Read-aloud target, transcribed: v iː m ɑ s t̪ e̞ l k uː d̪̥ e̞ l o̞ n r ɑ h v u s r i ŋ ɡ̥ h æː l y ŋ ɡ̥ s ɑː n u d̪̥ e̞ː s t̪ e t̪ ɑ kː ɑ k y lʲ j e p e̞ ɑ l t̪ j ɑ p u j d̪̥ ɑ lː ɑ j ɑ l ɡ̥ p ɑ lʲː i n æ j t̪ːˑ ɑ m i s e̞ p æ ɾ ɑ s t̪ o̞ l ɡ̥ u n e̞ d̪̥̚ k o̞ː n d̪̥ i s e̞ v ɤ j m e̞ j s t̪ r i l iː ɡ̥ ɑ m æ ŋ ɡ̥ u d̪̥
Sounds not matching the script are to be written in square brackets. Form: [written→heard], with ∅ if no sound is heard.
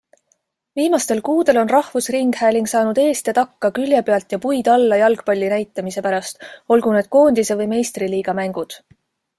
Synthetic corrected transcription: v iː m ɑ s t̪ e̞ l k uː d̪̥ e̞ l o̞ n r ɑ h v u s r i ŋ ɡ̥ h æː l [y→i] ŋ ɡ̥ s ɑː n u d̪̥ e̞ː s t̪ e t̪ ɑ kː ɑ k y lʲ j e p e̞ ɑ l t̪ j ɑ p u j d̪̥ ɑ lː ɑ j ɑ l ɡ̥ p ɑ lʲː i n æ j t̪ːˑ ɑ m i s e̞ p æ ɾ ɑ s t̪ o̞ l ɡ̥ u n e̞ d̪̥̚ k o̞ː n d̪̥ i s e̞ v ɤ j m e̞ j s t̪ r i l iː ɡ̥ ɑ m æ ŋ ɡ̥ u d̪̥